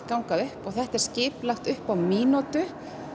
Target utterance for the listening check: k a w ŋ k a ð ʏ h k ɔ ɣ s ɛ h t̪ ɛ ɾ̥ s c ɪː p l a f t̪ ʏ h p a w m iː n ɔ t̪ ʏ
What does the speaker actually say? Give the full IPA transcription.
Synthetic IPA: k a w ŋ k a ð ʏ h p ɔ ɣ θ ɛ h t̪ ɛ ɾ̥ s c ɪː p l a x t̪ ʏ h p a w m iː n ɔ t̪ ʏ